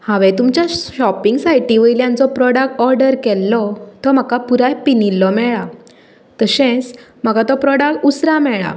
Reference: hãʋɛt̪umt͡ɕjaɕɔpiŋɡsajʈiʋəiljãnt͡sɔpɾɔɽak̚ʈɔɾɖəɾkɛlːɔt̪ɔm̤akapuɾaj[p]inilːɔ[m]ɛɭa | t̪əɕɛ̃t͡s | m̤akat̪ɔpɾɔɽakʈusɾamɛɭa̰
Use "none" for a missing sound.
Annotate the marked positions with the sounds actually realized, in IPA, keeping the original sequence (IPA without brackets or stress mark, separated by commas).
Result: p, m